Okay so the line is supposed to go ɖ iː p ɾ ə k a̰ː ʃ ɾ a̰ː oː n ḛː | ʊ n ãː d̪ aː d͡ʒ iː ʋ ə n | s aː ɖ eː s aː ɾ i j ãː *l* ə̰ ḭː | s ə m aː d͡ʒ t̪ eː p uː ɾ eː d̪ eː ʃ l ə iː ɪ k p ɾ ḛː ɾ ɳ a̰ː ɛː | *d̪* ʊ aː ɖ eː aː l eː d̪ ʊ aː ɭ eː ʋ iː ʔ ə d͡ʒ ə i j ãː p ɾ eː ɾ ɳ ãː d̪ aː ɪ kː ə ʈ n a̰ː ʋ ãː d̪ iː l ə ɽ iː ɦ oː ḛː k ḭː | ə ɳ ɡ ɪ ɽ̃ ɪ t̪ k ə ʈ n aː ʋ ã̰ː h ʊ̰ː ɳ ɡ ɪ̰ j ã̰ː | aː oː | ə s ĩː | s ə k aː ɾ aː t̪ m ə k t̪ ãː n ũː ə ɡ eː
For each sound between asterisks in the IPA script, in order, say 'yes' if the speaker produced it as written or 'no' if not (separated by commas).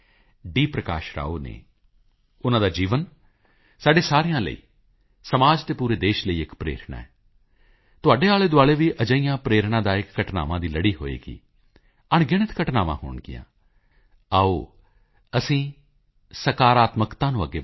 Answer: yes, no